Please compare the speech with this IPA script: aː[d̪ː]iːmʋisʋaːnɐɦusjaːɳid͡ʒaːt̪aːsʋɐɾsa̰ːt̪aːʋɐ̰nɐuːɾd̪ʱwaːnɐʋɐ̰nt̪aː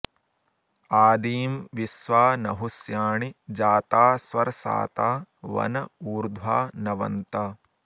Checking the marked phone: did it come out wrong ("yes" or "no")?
yes